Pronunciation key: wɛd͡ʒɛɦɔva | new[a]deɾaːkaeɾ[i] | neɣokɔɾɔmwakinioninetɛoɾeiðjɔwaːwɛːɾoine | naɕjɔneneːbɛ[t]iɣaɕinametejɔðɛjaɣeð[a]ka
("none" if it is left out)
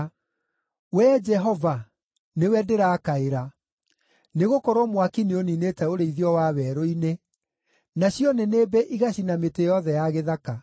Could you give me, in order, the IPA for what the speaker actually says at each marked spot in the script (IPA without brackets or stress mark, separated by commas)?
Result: ɛ, a, ʔ, a